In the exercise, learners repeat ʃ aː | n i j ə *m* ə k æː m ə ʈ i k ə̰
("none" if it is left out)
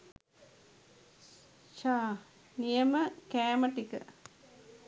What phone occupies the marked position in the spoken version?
m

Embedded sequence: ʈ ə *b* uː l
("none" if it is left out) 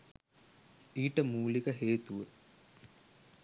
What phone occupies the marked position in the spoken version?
m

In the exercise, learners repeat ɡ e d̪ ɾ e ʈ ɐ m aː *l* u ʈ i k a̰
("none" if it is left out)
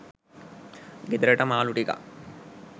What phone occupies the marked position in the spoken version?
l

